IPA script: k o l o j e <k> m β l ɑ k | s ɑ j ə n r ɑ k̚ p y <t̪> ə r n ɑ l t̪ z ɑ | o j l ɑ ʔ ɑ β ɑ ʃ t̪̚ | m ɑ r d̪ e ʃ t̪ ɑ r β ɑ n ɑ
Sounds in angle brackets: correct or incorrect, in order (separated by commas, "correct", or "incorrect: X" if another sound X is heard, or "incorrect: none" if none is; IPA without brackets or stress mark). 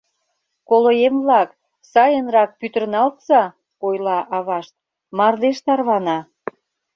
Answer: incorrect: none, correct